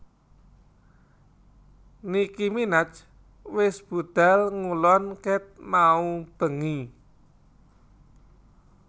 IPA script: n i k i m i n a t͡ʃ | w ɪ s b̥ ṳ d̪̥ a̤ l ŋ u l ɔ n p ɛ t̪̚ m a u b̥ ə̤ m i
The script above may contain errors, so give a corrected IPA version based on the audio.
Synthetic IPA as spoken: n i k i m i n a t͡ʃ | w ɪ s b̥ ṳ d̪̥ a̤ l ŋ u l ɔ n k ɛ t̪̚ m a u b̥ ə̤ ŋ i